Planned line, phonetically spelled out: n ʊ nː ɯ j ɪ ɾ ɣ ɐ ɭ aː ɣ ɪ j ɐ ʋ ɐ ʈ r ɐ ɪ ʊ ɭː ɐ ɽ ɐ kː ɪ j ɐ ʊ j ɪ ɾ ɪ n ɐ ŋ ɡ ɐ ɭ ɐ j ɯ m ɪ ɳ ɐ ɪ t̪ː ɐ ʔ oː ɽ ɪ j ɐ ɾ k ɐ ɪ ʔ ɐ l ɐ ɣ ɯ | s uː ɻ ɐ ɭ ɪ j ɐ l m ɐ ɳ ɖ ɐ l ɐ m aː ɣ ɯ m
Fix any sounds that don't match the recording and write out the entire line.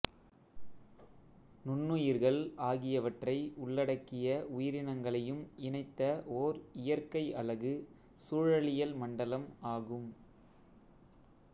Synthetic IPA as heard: n ʊ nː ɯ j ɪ ɾ ɣ ɐ ɭ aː ɣ ɪ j ɐ ʋ ɐ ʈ r ɐ ɪ ʊ ɭː ɐ ɽ ɐ kː ɪ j ɐ ʊ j ɪ ɾ ɪ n ɐ ŋ ɡ ɐ ɭ ɐ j ɯ m ɪ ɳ ɐ ɪ t̪ː ɐ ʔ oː ɾ ɪ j ɐ ɾ k ɐ ɪ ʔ ɐ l ɐ ɣ ɯ | s uː ɻ ɐ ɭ ɪ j ɐ l m ɐ ɳ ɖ ɐ l ɐ m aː ɣ ɯ m